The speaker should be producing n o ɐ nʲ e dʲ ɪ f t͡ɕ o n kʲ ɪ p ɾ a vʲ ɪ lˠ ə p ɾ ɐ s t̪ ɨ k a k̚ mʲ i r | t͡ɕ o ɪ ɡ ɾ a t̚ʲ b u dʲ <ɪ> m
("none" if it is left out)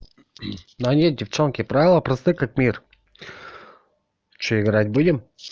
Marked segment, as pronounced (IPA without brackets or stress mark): ɪ